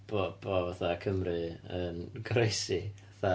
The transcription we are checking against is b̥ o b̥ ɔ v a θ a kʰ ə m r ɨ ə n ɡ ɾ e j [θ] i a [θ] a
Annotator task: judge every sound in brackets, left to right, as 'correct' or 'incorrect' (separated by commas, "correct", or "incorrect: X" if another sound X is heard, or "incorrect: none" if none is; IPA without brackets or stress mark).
incorrect: s, correct